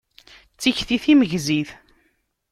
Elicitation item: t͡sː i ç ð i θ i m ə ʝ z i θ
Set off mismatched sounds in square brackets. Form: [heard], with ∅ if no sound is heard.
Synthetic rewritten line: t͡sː i ç [θ] i θ i m ə ʝ z i θ